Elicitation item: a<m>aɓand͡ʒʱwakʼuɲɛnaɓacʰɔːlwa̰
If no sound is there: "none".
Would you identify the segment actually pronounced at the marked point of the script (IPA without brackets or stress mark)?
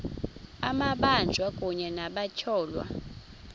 m